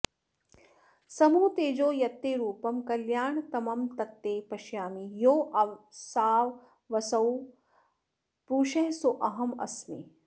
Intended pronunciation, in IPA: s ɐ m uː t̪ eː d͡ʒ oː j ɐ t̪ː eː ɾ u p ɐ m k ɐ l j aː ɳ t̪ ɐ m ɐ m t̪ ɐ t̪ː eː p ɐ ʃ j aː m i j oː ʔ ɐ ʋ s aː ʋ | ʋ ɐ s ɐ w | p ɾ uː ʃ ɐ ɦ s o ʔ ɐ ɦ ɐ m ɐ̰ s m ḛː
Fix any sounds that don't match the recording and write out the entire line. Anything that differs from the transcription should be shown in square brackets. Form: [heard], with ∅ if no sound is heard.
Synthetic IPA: s ɐ m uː t̪ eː d͡ʒ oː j ɐ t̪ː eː ɾ [uː] p ɐ m k ɐ l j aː ɳ t̪ ɐ m ɐ m t̪ ɐ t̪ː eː p ɐ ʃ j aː m i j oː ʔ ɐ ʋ s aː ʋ | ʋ ɐ s ɐ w | p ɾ uː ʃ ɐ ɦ s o ʔ ɐ ɦ ɐ m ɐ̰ s m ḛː